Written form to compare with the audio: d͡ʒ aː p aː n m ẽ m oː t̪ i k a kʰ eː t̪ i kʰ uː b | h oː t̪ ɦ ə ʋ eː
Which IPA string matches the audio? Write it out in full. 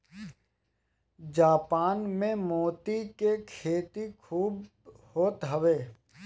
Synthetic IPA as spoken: d͡ʒ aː p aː n m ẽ m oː t̪ i k e kʰ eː t̪ i kʰ uː b | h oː t̪ ɦ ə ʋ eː